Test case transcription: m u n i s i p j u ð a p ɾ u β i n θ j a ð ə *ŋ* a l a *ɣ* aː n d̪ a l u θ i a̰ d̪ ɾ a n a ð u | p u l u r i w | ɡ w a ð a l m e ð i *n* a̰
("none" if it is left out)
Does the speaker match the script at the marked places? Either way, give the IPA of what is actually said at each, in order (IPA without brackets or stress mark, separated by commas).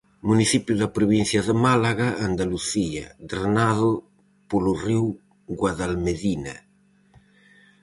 m, ɣ, n